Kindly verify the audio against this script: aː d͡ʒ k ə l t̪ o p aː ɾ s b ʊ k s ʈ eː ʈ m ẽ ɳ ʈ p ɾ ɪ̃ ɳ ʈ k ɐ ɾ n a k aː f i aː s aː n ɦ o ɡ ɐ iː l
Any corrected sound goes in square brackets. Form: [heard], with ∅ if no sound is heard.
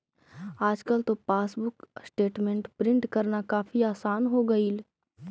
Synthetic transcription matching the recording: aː d͡ʒ k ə l t̪ o p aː [∅] s b ʊ k s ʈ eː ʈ m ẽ ɳ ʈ p ɾ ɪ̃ ɳ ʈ k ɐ ɾ n a k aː f i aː s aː n ɦ o ɡ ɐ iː l

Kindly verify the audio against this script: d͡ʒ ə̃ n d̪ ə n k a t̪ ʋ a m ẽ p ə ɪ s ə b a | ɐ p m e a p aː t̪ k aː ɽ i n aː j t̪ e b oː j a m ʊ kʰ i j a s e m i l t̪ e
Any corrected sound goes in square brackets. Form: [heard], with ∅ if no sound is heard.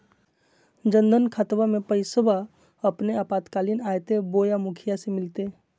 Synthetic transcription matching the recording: d͡ʒ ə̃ n d̪ ə n [kʰ] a t̪ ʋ a m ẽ p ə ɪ s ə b a | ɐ p [n] e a p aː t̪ k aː [l] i n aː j t̪ e b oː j a m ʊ kʰ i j a s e m [ɪ] l t̪ e

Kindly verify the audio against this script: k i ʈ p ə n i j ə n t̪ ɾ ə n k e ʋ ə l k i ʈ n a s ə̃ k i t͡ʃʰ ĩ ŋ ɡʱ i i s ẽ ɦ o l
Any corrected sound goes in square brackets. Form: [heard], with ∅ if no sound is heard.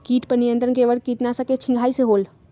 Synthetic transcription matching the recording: k i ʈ p ə n i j ə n t̪ ɾ ə n k e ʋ ə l k i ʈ n a s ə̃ k [e] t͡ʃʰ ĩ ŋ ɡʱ [a] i s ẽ ɦ o l

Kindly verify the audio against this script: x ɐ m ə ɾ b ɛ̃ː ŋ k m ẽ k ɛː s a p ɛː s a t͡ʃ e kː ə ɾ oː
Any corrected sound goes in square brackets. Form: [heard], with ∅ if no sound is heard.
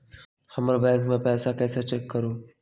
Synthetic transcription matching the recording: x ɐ m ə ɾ b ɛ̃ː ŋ k m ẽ [p] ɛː s a [k] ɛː s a t͡ʃ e kː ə ɾ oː

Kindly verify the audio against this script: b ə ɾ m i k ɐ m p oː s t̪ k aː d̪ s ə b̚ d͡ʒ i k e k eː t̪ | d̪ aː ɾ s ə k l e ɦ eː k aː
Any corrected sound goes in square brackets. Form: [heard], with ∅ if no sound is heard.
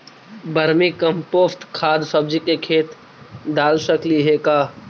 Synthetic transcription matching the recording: b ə ɾ m i k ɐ m p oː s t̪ [kʰ] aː d̪ s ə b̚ d͡ʒ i k e [kʰ] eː t̪ | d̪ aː [l] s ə k l [i] ɦ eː k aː

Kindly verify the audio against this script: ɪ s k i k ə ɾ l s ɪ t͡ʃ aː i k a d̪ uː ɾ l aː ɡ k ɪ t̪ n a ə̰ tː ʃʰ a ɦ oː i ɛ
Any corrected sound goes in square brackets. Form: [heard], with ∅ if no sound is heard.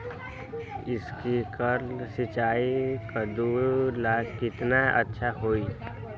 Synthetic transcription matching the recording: ɪ s k i k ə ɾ l s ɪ t͡ʃ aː i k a d̪ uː ɾ l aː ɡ k ɪ t̪ n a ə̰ tː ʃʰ a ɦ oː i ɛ

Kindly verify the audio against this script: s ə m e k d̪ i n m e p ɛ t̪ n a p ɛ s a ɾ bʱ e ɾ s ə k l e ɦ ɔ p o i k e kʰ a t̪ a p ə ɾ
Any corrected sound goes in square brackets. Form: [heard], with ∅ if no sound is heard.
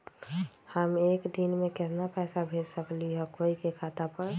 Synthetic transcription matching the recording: [h] ə m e k d̪ i n m e [k] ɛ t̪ n a p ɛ s a [∅] bʱ e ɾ s ə k l [i] ɦ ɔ [k] o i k e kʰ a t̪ a p ə ɾ

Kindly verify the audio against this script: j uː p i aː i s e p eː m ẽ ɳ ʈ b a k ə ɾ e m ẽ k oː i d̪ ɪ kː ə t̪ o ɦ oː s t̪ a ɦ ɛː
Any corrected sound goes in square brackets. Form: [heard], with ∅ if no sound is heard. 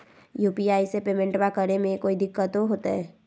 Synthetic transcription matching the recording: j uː p i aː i s e p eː m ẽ ɳ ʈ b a k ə ɾ e m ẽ k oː i d̪ ɪ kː ə t̪ o ɦ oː [∅] t̪ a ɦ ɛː

